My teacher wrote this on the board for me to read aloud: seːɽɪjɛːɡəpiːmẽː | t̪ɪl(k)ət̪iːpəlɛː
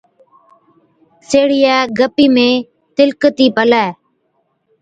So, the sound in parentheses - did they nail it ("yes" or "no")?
yes